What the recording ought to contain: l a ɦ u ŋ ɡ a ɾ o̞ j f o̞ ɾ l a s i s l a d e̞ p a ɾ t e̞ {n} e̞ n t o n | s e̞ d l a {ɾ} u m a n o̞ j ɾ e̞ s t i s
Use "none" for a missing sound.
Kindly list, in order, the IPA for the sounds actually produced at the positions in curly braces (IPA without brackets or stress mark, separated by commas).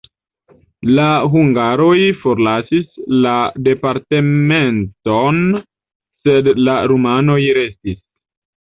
m, ɾ